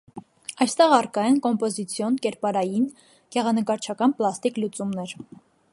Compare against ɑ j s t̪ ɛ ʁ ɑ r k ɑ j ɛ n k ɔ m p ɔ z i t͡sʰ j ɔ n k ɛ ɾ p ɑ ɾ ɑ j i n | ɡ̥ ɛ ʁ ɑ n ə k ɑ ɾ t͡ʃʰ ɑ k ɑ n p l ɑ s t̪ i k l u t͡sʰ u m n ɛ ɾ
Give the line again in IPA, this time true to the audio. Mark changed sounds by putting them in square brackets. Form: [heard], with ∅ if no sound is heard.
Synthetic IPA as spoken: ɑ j s t̪ ɛ ʁ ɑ r k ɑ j ɛ n k ɔ m p ɔ z i t͡sʰ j ɔ n k ɛ ɾ p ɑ ɾ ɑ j i n | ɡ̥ ɛ ʁ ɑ n ə k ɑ ɾ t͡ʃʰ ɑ k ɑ n p l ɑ s t̪ i k l u [t͡s] u m n ɛ ɾ